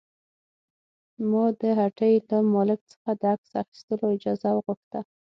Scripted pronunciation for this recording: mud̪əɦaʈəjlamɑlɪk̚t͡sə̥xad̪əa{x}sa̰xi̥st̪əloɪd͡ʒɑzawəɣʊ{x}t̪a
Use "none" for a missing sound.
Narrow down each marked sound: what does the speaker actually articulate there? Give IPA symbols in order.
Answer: k, x

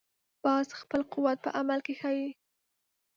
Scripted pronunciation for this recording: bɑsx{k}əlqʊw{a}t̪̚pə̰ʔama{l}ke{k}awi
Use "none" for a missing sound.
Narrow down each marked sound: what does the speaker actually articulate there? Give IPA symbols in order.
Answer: p, a, l, x

